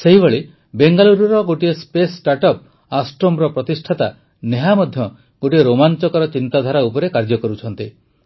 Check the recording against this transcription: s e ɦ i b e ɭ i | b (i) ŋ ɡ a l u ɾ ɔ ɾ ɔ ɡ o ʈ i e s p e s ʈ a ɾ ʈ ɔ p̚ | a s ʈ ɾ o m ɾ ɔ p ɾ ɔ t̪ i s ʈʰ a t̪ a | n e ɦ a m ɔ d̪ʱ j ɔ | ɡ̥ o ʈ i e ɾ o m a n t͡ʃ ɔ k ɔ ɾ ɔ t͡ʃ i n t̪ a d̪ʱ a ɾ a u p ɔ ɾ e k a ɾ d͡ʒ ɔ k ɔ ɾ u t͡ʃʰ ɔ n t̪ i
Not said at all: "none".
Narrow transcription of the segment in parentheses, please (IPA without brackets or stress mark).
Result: e